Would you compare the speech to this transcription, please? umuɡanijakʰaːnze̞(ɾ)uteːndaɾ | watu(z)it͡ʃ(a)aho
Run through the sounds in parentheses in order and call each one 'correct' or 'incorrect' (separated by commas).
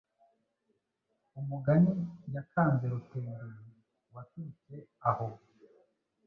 correct, incorrect, incorrect